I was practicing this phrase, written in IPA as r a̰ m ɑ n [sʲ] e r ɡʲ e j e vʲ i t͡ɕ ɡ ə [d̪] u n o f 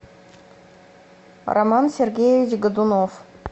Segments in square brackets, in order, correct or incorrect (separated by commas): correct, correct